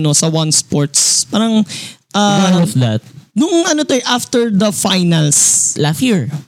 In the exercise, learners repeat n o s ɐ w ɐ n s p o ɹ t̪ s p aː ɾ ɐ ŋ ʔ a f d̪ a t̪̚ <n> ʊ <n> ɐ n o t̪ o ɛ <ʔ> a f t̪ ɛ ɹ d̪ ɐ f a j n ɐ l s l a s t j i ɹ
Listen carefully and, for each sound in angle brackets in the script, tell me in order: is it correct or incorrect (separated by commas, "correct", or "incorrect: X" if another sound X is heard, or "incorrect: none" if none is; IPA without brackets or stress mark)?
correct, incorrect: ŋ, correct